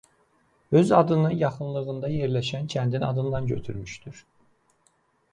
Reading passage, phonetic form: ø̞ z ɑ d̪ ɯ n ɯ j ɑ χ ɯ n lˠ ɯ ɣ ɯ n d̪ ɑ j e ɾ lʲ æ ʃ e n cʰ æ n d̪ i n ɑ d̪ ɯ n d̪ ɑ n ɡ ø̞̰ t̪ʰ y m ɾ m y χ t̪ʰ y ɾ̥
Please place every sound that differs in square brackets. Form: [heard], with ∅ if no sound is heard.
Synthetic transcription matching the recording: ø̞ z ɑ d̪ ɯ n ɯ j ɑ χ ɯ n lˠ ɯ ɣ ɯ n d̪ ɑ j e ɾ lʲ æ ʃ [æ] n cʰ æ n d̪ i n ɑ d̪ ɯ n d̪ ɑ n [ɟ] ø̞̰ t̪ʰ y [∅] ɾ m y [ʃ] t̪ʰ y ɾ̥